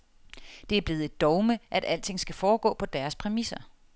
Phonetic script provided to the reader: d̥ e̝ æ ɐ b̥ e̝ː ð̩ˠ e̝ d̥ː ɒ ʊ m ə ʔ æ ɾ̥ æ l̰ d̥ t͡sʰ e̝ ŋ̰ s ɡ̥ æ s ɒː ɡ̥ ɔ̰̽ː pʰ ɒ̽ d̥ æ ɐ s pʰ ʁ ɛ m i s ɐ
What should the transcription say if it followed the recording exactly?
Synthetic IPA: d̥ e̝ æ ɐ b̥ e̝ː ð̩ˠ e̝ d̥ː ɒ ʊ m ə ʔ æ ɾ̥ æ l̰ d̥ t͡sʰ e̝ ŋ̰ s ɡ̥ æ f ɒː ɡ̥ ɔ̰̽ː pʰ ɒ̽ d̥ æ ɐ s pʰ ʁ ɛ m i s ɐ

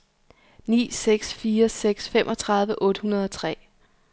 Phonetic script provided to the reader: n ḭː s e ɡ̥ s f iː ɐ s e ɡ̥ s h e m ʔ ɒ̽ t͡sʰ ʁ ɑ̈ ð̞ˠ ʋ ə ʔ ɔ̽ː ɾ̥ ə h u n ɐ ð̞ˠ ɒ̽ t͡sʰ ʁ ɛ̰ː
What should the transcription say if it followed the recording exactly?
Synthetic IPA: n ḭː s e ɡ̥ s f iː ɐ s e ɡ̥ s f e m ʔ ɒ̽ t͡sʰ ʁ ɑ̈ ð̞ˠ ʋ ə ʔ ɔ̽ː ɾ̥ ə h u n ɐ ð̞ˠ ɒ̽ t͡sʰ ʁ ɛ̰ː

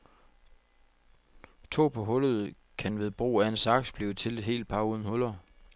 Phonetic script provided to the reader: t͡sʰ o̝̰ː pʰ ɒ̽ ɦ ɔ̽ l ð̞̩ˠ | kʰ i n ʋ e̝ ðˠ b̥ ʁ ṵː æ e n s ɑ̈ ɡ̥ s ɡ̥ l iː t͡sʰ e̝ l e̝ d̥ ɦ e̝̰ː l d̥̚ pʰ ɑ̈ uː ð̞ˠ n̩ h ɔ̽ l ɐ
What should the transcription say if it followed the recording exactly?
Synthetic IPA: t͡sʰ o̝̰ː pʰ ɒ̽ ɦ ɔ̽ l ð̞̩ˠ | kʰ æ n ʋ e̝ ðˠ b̥ ʁ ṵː æ e n s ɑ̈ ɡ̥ s b̥ l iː t͡sʰ e̝ l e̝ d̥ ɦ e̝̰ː l d̥̚ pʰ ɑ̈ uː ð̞ˠ n̩ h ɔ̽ l ɐ

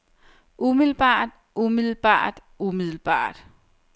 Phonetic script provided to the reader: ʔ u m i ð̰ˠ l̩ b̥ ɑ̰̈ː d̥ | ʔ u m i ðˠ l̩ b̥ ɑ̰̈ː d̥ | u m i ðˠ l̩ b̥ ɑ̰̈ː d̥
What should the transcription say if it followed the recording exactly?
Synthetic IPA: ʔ u m i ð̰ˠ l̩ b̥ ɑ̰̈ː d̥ | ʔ u m i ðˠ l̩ b̥ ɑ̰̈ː d̥ | u m i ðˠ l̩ b̥ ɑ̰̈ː d̥

